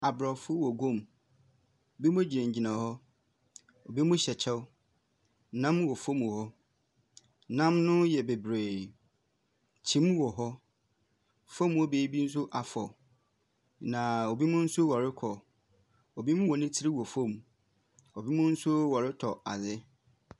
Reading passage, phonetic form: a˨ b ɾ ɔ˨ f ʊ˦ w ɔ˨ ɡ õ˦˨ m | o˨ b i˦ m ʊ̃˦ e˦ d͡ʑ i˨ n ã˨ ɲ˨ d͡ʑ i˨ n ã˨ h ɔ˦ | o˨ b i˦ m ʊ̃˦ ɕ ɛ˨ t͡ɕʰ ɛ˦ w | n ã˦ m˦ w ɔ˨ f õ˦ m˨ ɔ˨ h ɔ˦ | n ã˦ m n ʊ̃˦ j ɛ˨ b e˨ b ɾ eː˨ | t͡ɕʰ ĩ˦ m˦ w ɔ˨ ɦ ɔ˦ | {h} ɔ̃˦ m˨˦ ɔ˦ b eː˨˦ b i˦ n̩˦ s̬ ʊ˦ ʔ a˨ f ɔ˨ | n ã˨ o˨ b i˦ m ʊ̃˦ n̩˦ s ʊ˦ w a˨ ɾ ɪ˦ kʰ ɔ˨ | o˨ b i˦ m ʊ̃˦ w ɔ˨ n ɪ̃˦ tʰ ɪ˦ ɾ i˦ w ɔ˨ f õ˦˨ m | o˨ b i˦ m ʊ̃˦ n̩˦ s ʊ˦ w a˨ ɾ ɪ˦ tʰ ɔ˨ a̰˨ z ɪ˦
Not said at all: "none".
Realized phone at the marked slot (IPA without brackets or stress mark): f